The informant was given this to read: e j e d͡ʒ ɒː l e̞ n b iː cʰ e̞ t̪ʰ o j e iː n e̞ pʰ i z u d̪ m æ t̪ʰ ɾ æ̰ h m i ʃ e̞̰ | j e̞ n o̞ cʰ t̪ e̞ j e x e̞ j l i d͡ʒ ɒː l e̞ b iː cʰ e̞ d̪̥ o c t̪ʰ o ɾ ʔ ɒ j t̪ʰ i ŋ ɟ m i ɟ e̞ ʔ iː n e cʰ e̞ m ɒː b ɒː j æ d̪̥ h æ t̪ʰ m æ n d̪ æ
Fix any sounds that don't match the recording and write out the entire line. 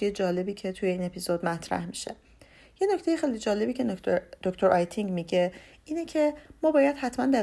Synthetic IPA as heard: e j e d͡ʒ ɒː l e̞ b iː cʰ e̞ t̪ʰ u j e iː n e̞ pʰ i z o d̪ m æ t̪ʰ ɾ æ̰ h m i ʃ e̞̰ | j e̞ n o̞ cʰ t̪ e̞ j e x e̞ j l i d͡ʒ ɒː l e̞ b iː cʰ e̞ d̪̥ o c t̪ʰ o ɾ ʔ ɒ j t̪ʰ i ŋ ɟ m i ɟ e̞ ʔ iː n e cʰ e̞ m ɒː b ɒː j æ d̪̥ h æ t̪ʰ m æ n d̪ æ